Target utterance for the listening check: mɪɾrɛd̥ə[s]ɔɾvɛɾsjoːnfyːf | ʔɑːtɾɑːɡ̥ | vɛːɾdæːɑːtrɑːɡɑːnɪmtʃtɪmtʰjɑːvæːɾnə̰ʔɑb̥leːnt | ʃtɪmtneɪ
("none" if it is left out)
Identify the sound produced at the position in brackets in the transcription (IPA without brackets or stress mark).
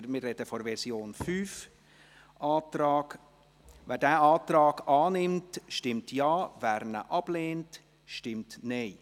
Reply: f